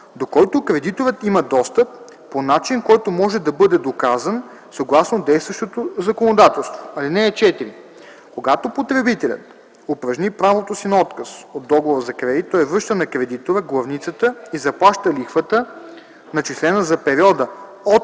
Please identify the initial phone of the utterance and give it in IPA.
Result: d̪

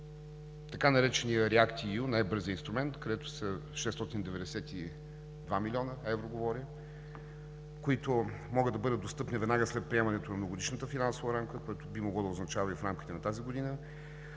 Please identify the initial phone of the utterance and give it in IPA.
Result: t̪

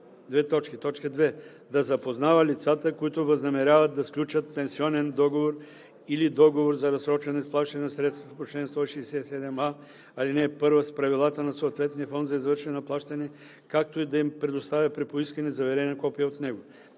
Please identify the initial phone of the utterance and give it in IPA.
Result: d̪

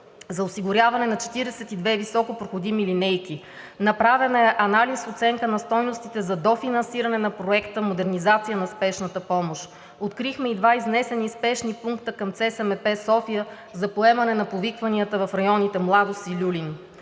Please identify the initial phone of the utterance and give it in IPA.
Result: z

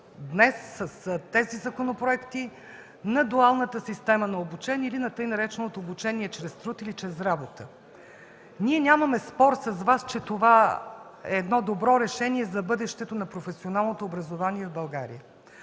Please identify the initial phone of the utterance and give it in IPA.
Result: d̪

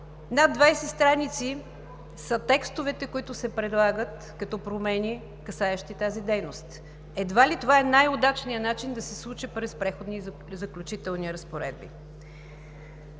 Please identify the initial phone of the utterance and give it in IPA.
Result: n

